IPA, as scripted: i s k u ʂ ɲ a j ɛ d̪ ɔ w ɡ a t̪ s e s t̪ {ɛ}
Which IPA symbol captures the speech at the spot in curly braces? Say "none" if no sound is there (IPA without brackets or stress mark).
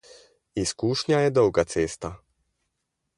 a